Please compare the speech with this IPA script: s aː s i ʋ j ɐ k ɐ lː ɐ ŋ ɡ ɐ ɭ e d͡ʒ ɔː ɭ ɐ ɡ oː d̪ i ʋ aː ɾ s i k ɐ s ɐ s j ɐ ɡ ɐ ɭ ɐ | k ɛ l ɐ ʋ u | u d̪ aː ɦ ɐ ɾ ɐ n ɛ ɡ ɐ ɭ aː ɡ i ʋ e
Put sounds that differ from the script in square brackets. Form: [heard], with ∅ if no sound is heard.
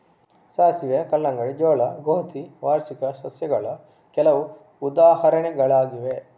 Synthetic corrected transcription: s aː s i ʋ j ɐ k ɐ lː ɐ ŋ ɡ ɐ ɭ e d͡ʒ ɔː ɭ ɐ ɡ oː [t̪] i ʋ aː ɾ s i k ɐ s ɐ s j ɐ ɡ ɐ ɭ ɐ | k ɛ l ɐ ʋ u | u d̪ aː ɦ ɐ ɾ ɐ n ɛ ɡ ɐ ɭ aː ɡ i ʋ e